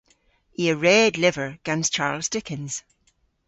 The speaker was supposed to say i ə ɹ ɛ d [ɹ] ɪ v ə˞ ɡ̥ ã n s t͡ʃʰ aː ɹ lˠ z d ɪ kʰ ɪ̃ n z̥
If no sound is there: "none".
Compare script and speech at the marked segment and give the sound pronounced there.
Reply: l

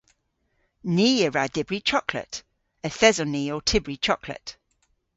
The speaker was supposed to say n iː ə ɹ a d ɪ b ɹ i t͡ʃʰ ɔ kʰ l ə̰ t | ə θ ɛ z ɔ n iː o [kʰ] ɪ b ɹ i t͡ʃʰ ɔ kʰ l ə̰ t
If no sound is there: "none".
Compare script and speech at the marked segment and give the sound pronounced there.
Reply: tʰ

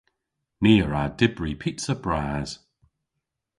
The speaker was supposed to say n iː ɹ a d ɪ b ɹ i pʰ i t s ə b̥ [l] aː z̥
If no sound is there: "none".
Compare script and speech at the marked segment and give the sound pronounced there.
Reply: ɹ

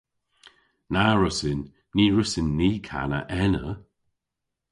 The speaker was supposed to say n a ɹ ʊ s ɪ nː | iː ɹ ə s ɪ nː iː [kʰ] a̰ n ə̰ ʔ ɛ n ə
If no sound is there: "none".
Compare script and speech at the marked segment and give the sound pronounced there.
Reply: kʰ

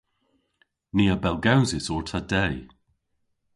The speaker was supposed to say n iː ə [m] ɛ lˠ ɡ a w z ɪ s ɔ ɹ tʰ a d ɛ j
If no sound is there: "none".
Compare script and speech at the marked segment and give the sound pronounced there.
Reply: b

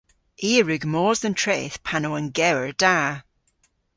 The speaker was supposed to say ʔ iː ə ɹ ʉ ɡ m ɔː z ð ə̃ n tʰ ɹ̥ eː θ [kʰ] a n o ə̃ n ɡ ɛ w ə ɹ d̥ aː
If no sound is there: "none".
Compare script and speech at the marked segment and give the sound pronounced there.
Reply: pʰ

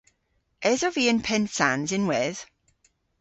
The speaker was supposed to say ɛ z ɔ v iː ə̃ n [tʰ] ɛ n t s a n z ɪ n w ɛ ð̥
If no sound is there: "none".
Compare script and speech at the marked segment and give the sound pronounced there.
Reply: pʰ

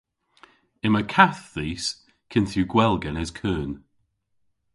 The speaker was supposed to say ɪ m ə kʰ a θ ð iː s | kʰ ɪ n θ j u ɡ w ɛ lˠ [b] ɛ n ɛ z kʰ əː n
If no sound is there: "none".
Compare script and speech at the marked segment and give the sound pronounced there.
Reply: ɡ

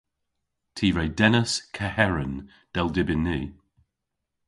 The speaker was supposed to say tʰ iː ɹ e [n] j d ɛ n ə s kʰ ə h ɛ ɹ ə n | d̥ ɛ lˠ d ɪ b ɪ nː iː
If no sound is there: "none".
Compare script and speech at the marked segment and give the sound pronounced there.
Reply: none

